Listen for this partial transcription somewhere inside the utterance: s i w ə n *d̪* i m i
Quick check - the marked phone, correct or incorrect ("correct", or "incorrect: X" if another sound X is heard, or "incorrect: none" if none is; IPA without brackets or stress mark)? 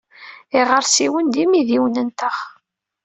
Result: correct